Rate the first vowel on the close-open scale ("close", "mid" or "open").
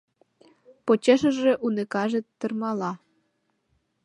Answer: mid